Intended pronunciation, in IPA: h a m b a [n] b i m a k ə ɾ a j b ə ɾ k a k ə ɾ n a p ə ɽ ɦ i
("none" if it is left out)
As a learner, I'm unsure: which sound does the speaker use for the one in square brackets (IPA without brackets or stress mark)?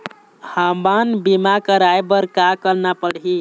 n